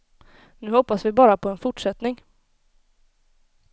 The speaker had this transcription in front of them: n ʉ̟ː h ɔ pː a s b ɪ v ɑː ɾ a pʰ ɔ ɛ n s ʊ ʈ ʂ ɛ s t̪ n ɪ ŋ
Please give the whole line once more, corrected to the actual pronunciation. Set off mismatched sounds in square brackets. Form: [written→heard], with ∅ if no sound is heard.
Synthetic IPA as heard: n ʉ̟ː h ɔ pː a s [b→v] ɪ [v→b] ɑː ɾ a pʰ ɔ ɛ n [s→f] ʊ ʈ ʂ ɛ [s→∅] t̪ n ɪ ŋ

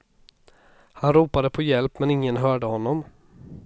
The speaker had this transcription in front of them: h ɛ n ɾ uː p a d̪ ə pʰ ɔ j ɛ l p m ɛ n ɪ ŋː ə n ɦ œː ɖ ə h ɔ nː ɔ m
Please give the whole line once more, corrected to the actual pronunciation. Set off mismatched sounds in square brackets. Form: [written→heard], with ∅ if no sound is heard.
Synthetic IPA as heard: h [ɛ→a] n ɾ uː p a d̪ ə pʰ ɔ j ɛ l p m ɛ n ɪ ŋː ə n ɦ œː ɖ ə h ɔ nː ɔ m

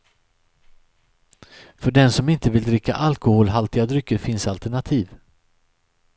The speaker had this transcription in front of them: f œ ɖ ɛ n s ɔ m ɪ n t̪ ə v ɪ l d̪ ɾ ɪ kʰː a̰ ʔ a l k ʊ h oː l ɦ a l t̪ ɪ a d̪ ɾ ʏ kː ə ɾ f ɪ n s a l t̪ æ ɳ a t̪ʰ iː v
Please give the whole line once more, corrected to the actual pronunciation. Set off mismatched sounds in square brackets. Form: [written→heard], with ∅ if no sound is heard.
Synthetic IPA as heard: f œ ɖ ɛ n s ɔ m ɪ n t̪ ə v ɪ l d̪ ɾ ɪ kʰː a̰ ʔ a l k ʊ h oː l ɦ a l t̪ ɪ a d̪ ɾ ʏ kː ə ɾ f ɪ n s a l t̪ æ ɳ a t̪ʰ iː v

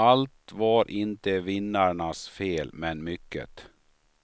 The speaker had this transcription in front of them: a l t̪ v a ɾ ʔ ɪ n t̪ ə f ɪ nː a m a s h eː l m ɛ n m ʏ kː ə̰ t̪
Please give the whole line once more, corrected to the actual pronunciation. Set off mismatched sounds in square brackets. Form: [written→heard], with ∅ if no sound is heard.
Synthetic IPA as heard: a l t̪ v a ɾ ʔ ɪ n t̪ ə [f→v] ɪ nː a [m→ɳ] a s [h→f] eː l m ɛ n m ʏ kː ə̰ t̪

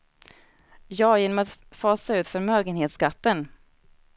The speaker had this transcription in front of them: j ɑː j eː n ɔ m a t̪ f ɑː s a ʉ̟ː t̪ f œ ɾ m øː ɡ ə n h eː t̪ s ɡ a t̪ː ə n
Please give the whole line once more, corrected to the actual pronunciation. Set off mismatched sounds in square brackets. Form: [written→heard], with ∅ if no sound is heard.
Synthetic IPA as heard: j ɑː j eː n ɔ m a t̪ f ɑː s a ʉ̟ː t̪ f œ ɾ m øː ɡ ə n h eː t̪ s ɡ a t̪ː ə n

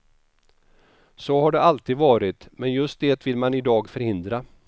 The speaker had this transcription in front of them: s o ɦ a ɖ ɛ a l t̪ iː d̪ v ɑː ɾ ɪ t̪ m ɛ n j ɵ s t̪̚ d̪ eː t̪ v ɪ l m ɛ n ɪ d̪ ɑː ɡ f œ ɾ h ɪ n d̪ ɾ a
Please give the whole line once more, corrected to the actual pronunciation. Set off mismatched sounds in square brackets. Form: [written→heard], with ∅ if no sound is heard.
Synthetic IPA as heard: s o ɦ a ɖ ɛ a l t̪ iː d̪ v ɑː ɾ ɪ t̪ m ɛ n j ɵ s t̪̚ d̪ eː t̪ v ɪ l m [ɛ→a] n ɪ d̪ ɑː ɡ f œ ɾ h ɪ n d̪ ɾ a

